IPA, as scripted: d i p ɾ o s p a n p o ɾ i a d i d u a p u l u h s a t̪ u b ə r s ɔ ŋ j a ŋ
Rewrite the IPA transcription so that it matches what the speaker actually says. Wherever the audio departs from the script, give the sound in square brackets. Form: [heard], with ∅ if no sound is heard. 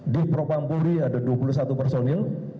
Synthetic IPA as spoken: d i p ɾ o [∅] p a [m] p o ɾ i a d [a] d u a p u l u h s a t̪ u [p] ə r s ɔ [n] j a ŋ